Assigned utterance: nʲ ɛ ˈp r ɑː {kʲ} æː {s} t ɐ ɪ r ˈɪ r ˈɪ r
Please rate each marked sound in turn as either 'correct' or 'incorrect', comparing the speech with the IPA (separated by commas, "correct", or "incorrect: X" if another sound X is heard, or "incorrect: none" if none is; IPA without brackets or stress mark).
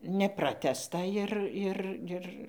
incorrect: tʲ, correct